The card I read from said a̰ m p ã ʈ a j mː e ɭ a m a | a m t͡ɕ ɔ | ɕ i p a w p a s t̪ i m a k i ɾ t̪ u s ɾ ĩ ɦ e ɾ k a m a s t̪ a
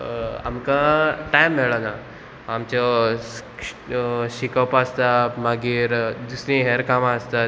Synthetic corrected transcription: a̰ m k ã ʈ a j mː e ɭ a n a | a m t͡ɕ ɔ | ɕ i k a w p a s t̪ a m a ɡ i ɾ d̪ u s ɾ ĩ ɦ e ɾ k a m a s t̪ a